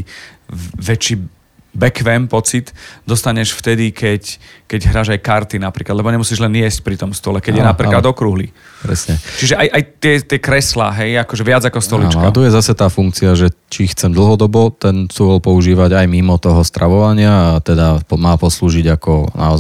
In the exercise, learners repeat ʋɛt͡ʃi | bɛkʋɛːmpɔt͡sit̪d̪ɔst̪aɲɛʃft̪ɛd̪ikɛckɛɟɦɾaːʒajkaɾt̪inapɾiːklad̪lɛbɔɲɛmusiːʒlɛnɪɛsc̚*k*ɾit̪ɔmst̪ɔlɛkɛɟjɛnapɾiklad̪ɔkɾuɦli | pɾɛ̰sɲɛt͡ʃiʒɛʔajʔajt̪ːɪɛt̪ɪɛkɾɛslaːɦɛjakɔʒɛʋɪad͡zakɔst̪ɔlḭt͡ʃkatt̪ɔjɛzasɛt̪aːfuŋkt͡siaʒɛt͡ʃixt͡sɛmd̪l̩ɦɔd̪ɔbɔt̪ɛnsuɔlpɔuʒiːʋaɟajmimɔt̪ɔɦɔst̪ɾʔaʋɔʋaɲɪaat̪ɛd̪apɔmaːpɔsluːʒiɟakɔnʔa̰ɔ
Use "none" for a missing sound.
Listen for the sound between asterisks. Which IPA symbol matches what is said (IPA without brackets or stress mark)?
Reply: p